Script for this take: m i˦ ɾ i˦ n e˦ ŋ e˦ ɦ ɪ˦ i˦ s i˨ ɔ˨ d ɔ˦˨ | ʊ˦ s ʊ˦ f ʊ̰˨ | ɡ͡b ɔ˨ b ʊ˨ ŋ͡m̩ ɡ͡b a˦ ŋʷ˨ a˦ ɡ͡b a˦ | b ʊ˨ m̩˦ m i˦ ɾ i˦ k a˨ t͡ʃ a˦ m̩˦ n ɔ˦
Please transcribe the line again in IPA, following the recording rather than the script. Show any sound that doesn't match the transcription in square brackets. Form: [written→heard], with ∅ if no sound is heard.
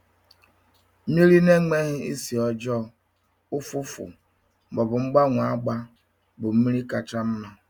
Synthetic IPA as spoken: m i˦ ɾ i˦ n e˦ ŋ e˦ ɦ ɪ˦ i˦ s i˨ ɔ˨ [d→d͡ʒ] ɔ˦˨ | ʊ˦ [s→f] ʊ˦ f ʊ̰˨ | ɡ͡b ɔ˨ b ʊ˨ ŋ͡m̩ ɡ͡b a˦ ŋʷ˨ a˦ ɡ͡b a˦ | b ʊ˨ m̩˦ m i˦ ɾ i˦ k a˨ t͡ʃ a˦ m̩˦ n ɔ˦